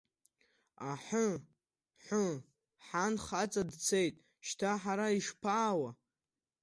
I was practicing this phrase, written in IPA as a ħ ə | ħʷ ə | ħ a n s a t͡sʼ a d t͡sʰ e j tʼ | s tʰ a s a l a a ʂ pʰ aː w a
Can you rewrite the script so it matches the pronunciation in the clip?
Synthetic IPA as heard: a ħ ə | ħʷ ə | ħ a n χ a t͡sʼ a d t͡sʰ e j tʼ | ʃ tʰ a ħ a ɾ a i ʂ pʰ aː w a